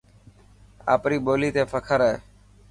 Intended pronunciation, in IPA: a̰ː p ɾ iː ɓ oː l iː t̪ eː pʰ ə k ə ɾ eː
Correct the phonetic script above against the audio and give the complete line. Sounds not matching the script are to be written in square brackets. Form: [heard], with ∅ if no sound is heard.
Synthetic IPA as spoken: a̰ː p ɾ iː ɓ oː l iː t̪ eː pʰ ə [kʰ] ə ɾ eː